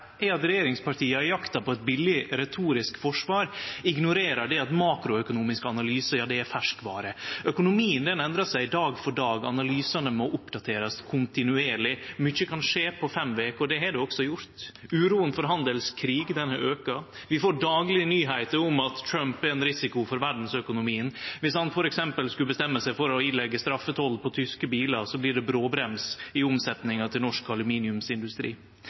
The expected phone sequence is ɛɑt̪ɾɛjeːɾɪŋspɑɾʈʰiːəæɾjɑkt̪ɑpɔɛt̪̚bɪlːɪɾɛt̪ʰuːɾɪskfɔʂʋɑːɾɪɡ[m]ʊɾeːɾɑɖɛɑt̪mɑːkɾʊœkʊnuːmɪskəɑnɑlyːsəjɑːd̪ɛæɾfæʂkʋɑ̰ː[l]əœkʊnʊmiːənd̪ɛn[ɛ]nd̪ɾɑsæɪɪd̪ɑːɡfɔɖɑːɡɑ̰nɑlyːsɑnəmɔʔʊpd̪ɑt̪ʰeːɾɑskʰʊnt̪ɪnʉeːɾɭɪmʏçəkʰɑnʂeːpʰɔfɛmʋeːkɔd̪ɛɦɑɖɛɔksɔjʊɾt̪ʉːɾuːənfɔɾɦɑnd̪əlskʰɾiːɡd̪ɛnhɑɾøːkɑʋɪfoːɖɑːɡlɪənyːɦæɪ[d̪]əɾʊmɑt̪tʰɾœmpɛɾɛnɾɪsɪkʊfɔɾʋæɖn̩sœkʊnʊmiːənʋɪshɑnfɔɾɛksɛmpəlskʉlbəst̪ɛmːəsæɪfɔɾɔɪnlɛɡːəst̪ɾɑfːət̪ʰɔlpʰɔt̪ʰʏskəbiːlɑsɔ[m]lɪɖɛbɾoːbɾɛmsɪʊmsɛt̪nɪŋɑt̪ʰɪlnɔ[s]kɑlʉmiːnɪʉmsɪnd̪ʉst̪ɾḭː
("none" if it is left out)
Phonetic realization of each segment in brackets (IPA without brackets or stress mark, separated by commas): n, ɾ, ɛ, t̪, b, ʂ